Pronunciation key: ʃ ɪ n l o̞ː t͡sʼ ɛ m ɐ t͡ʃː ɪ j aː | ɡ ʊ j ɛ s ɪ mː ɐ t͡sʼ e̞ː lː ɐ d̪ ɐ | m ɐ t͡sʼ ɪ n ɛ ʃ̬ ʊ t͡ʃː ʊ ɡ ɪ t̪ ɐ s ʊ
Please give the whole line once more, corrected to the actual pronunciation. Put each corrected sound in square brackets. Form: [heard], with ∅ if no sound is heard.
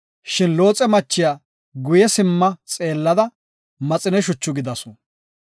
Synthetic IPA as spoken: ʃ ɪ n l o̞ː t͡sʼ ɛ m ɐ t͡ʃː ɪ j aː | ɡ ʊ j ɛ s ɪ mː ɐ t͡sʼ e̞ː lː ɐ d̪ ɐ | m ɐ t͡sʼ ɪ n ɛ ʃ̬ ʊ t͡ʃː ʊ ɡ ɪ [d̪] ɐ s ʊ